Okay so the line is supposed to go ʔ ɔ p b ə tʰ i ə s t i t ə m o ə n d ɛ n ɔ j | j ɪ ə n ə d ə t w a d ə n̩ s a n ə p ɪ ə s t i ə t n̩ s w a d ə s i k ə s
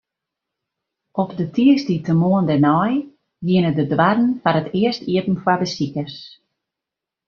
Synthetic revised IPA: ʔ ɔ p d ə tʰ i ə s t i t ə m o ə n d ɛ n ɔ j | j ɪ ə n ə d ə d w a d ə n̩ f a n ə t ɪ ə s t i ə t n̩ f w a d ə s i k ə s